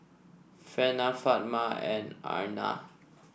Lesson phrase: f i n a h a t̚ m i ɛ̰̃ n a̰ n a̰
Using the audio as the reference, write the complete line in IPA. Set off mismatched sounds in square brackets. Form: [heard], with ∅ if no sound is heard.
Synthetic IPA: f [ɛ] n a [f] a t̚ m [a] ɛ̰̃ n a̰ n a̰